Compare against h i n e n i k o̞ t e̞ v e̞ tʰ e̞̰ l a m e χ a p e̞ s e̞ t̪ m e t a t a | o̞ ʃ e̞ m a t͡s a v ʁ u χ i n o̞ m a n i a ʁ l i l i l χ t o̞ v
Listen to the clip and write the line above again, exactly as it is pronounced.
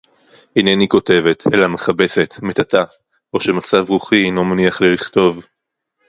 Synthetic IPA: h i n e n i k o̞ t e̞ v e̞ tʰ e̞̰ l a m e χ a b e̞ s e̞ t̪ m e t a t a | o̞ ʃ e̞ m a t͡s a v ʁ u χ i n o̞ m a n i a χ l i l i χ t o̞ v